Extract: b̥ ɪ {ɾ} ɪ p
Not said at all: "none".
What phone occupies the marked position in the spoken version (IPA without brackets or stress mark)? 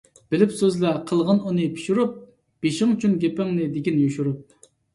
l